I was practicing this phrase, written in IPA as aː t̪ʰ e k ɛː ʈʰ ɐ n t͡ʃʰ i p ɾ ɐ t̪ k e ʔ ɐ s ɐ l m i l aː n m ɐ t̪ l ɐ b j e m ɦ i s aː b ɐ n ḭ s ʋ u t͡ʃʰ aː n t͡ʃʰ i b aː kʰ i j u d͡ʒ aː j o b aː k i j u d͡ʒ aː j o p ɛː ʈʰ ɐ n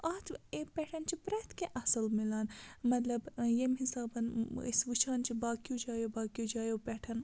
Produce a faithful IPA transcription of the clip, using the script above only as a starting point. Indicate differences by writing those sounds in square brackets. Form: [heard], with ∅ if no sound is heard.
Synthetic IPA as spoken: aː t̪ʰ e [p] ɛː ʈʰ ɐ n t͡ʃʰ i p ɾ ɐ t̪ k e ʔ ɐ s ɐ l m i l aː n m ɐ t̪ l ɐ b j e m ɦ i s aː b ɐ n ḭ s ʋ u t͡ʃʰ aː n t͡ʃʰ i b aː [k] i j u d͡ʒ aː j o b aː k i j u d͡ʒ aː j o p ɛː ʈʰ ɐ n